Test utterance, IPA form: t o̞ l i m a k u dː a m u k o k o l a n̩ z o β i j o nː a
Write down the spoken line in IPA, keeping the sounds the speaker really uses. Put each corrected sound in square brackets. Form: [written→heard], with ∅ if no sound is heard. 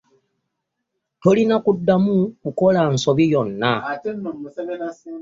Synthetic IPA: t o̞ l i [m→n] a k u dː a m u k [o→u] k o l a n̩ [z→s] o β i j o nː a